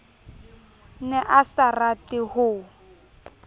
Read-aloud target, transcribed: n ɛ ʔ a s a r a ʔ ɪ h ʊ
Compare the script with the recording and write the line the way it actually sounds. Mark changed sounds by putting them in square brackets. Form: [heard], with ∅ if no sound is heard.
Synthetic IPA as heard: n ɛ ʔ a s a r a [t] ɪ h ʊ